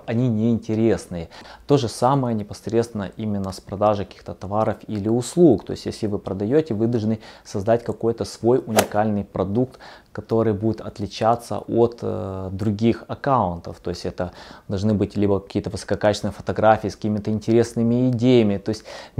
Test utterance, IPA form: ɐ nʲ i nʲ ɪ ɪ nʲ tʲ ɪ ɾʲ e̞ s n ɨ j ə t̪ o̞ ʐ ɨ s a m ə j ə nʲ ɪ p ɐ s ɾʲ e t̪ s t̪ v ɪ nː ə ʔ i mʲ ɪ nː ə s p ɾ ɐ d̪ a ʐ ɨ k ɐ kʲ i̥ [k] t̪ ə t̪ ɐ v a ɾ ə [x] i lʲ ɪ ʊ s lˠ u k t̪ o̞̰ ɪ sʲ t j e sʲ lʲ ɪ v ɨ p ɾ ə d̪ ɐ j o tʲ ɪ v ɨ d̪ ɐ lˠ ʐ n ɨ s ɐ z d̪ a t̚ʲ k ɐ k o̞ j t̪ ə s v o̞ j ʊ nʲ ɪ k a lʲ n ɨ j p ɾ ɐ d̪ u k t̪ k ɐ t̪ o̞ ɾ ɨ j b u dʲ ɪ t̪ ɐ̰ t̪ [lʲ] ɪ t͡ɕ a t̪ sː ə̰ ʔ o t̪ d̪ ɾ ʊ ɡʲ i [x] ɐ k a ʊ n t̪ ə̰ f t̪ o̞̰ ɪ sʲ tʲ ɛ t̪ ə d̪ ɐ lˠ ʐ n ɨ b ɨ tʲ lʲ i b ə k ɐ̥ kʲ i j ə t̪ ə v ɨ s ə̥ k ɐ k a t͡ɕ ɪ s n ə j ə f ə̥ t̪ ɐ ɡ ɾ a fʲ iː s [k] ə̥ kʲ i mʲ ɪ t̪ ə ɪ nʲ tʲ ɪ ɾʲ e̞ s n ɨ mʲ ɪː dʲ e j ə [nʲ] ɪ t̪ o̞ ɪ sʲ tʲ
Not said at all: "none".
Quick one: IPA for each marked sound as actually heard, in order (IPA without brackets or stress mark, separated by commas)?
x, f, lʲ, x, k, mʲ